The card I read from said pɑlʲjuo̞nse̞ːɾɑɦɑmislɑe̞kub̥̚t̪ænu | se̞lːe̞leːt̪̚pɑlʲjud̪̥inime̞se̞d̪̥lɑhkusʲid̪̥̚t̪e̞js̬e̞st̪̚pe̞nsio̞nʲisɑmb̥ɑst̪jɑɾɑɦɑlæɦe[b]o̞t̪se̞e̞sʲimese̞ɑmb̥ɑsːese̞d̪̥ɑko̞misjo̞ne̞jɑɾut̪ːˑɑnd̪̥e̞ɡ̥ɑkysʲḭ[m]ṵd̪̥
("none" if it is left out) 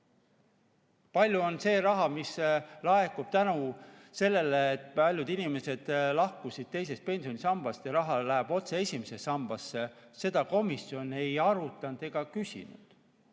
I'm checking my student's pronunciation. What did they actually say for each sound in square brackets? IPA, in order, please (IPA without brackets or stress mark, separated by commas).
b, n